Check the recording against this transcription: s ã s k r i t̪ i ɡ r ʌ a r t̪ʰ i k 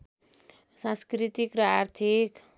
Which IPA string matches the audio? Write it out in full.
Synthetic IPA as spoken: s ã s k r i t̪ i k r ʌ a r t̪ʰ i k